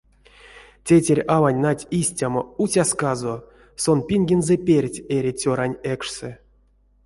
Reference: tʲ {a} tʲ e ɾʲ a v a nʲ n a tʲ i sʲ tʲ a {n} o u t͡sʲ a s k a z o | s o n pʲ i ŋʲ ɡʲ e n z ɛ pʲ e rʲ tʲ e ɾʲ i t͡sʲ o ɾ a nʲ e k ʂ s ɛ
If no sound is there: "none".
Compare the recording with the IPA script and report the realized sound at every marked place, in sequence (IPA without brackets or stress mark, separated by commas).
e, m